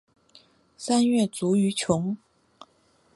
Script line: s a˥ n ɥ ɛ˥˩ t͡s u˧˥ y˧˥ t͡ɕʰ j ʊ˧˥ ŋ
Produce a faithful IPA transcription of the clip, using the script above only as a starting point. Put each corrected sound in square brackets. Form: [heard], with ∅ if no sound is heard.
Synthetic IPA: s a˥ n ɥ ɛ˥˩ t͡s u˧˥ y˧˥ t͡ɕʰ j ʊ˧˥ ŋ